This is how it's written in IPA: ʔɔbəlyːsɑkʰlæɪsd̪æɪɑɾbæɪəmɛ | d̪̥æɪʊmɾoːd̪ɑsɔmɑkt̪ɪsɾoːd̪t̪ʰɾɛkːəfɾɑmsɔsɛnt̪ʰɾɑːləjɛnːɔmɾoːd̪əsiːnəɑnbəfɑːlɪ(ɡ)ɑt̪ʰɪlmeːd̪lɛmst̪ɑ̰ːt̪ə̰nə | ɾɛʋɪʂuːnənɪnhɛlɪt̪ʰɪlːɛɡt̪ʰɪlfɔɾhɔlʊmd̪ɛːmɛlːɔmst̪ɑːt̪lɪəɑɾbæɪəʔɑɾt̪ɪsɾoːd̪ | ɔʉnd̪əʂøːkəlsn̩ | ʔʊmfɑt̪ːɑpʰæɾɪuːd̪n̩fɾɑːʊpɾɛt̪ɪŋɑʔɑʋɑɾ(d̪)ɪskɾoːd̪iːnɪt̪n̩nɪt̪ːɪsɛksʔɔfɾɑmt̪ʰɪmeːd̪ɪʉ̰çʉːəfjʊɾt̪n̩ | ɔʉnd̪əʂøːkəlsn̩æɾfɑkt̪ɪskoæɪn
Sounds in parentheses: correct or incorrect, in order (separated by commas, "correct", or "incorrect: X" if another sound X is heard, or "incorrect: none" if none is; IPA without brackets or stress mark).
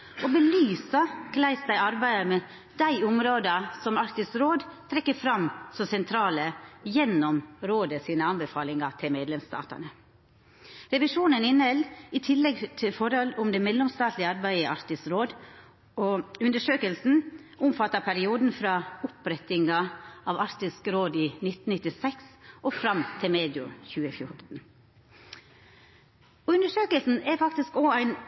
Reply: incorrect: ŋ, incorrect: t̪